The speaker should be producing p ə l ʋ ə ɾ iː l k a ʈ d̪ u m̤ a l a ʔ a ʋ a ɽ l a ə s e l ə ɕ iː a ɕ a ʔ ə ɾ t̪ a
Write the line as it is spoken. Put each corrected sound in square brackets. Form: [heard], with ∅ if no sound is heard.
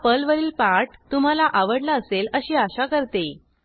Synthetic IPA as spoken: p ə l ʋ ə ɾ iː l [p] a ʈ [t̪] u m̤ a l a ʔ a ʋ [ə] ɽ l a ə s e l ə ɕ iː a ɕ a [k] ə ɾ t̪ [e]